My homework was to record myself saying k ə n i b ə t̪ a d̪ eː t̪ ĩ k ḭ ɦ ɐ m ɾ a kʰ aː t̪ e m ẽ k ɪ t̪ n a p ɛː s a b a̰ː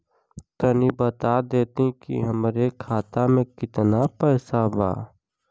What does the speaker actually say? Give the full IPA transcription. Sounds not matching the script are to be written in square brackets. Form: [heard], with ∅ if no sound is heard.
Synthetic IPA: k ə n i b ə t̪ a d̪ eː t̪ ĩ k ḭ ɦ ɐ m ɾ [e] kʰ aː t̪ [a] m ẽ k ɪ t̪ n a p ɛː s a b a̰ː